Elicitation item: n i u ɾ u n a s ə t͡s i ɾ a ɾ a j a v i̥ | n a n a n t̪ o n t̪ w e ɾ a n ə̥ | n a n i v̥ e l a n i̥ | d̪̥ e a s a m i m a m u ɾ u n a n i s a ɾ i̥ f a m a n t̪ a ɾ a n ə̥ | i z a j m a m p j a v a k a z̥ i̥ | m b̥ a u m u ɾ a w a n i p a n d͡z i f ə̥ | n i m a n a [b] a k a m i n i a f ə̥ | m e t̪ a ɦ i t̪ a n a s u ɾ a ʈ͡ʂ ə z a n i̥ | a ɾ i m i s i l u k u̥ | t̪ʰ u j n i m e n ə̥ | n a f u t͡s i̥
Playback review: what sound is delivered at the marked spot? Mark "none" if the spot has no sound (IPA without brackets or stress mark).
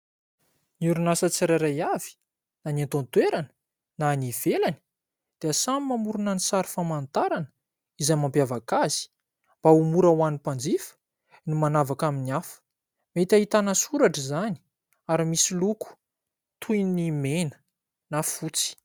v